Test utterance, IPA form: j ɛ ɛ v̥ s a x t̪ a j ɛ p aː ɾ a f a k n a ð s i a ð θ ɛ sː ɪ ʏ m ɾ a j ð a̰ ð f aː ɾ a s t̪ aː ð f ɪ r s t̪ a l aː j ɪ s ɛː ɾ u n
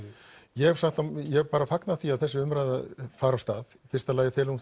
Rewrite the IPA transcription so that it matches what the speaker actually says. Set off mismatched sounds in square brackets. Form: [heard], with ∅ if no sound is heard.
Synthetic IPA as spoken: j ɛ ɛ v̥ s a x t̪ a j ɛ p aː ɾ a f a k n a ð [θ] i a ð θ ɛ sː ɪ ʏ m ɾ a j ð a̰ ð f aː ɾ a s t̪ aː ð f ɪ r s t̪ a l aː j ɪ [f] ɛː [l] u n

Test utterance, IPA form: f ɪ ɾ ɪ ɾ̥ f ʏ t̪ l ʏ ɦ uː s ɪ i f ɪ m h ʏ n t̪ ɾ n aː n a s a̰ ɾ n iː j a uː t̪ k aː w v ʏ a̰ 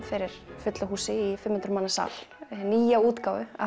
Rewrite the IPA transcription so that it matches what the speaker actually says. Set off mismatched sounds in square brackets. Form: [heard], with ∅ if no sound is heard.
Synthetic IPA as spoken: f ɪ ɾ ɪ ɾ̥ f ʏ t̪ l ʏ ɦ uː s ɪ i f ɪ m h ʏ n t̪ ɾ [m] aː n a s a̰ [l] n iː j a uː t̪ k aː w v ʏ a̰

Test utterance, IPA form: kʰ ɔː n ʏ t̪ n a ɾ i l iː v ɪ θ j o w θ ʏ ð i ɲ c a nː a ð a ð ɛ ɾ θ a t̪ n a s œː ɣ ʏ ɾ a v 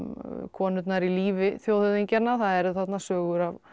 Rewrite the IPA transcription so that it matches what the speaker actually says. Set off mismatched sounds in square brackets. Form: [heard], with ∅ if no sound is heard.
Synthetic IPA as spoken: kʰ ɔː n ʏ t̪ n a ɾ i l iː v ɪ θ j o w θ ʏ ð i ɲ c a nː a [θ] a ð ɛ ɾ θ a t̪ n a s œː ɣ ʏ ɾ a v

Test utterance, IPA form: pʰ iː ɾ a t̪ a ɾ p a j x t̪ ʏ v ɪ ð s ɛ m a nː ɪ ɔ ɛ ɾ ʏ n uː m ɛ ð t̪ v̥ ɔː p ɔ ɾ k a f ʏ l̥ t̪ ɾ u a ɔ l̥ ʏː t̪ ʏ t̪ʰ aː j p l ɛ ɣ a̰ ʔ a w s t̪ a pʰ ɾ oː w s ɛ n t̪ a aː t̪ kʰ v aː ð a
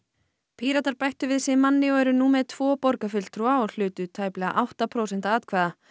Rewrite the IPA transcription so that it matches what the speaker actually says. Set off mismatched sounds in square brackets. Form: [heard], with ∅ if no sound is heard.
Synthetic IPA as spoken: pʰ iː ɾ a t̪ a ɾ p a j [h] t̪ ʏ v ɪ ð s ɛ m a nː ɪ ɔ ɛ ɾ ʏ n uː m ɛ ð [t̪ʰ] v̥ ɔː p ɔ ɾ k a f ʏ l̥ t̪ ɾ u a ɔ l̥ ʏː t̪ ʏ t̪ʰ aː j p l ɛ ɣ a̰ ʔ a w [h] t̪ a pʰ ɾ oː w s ɛ n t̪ a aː t̪ kʰ v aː ð a

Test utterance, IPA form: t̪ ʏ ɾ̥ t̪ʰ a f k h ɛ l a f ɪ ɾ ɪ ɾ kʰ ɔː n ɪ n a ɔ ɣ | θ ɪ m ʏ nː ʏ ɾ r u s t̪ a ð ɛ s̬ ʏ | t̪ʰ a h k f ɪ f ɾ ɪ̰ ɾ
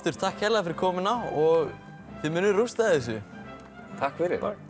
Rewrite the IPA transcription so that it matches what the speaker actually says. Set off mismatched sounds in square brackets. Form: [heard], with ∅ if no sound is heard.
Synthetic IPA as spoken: t̪ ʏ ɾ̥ t̪ʰ a [h] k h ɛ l a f ɪ ɾ ɪ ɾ kʰ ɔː [m] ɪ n a ɔ ɣ | θ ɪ m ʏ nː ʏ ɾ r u s t̪ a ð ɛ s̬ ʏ | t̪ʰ a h k f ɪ [∅] ɾ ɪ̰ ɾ

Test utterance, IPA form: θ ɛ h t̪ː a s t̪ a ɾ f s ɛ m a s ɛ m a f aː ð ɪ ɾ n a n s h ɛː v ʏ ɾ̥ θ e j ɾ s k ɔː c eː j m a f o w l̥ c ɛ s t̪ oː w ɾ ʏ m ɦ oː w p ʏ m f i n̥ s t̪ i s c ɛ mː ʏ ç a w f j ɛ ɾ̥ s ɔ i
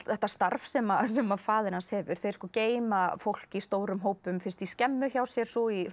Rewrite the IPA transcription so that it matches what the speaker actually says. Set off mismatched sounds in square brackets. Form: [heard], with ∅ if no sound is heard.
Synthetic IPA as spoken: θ ɛ h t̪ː a s t̪ a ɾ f s ɛ m a s ɛ m a f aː ð ɪ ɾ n a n s h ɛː v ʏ ɾ̥ θ e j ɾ s k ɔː c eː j m a f o w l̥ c [i] s t̪ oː w ɾ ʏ m ɦ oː w p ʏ m f [ɪ] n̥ s t̪ i s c ɛ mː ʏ ç a w [s] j ɛ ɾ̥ s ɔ i

